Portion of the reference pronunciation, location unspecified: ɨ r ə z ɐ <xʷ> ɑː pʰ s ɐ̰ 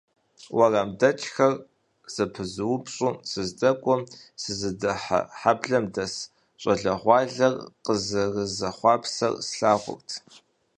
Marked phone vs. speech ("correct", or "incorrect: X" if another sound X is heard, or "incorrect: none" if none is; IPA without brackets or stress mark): incorrect: χʷ